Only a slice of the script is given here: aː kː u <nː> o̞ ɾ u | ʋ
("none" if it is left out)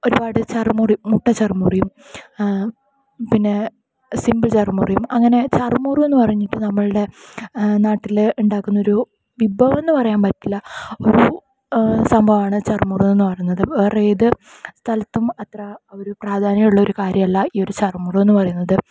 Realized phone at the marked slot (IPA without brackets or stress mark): nː